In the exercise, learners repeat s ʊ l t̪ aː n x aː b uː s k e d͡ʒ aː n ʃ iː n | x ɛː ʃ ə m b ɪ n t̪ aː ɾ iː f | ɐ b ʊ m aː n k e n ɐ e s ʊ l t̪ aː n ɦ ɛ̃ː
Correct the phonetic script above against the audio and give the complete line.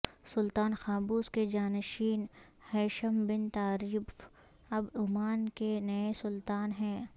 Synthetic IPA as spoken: s ʊ l t̪ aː n x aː b uː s k e d͡ʒ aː n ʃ iː n | h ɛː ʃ ə m b ɪ n t̪ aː ɾ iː f | ɐ b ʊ m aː n k e n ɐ e s ʊ l t̪ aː n ɦ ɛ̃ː